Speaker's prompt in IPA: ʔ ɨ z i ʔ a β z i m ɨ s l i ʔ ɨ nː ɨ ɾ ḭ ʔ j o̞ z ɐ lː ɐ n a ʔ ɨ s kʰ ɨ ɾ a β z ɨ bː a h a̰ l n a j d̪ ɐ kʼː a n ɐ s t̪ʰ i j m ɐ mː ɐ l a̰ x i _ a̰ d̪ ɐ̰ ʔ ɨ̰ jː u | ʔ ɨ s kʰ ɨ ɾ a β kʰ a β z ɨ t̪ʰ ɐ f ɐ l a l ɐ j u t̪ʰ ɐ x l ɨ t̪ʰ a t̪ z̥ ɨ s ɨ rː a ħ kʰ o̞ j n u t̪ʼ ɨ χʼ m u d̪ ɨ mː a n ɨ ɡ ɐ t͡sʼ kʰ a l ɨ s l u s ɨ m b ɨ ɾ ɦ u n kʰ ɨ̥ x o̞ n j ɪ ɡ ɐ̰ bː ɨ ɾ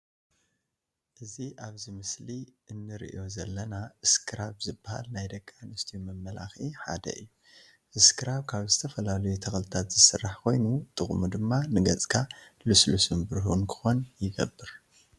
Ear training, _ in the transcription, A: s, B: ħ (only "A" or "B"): B